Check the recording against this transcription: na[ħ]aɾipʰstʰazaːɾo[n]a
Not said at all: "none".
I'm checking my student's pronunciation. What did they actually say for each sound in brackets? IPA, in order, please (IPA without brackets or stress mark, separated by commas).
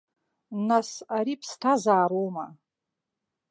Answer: s, m